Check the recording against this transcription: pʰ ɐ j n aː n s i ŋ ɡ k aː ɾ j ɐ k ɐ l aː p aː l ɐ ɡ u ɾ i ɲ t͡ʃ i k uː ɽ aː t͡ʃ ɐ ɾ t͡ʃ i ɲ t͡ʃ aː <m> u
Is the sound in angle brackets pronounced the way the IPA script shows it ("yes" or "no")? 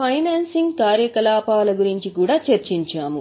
yes